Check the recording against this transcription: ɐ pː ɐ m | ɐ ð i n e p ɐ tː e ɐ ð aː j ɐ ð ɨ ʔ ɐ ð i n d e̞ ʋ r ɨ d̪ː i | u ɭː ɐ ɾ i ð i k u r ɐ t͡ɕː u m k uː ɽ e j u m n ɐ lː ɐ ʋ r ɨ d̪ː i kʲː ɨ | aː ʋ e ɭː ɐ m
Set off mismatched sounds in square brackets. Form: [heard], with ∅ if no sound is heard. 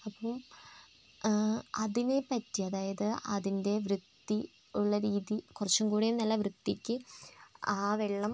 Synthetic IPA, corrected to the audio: ɐ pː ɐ m | ɐ ð i n e p ɐ tː [i] ɐ ð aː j ɐ ð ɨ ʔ ɐ ð i n d e̞ ʋ r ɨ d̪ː i | u ɭː ɐ ɾ [iː] ð i k u r ɐ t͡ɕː u m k uː ɽ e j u m n ɐ lː ɐ ʋ r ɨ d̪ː i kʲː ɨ | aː ʋ e ɭː ɐ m